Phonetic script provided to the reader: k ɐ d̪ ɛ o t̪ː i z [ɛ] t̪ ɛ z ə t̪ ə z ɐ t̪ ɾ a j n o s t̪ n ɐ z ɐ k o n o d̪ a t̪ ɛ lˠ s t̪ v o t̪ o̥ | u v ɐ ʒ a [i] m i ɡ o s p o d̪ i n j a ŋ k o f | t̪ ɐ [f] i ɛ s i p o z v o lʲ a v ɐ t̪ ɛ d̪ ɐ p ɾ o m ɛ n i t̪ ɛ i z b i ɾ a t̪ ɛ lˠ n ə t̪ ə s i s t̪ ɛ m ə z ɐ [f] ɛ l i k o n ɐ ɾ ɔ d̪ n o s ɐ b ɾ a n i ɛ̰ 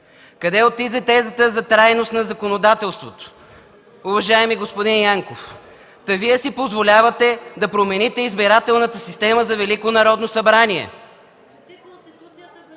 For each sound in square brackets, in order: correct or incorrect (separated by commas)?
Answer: correct, incorrect, incorrect, incorrect